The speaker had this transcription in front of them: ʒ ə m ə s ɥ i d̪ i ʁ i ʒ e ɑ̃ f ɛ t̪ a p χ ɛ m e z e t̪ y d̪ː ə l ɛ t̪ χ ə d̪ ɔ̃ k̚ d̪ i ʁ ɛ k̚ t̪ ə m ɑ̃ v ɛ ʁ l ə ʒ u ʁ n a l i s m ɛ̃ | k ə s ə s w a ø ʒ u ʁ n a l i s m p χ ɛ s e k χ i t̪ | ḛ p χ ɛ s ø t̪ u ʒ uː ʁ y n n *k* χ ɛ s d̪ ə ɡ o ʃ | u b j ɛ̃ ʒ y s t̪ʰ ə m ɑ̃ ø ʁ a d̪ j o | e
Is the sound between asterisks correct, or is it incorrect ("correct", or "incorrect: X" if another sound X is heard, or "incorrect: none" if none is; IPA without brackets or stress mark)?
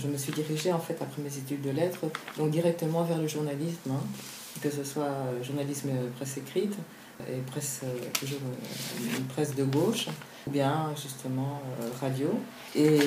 incorrect: p